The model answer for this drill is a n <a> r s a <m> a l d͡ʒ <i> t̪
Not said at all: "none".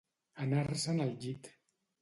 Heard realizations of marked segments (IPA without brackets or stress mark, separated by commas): a, n, i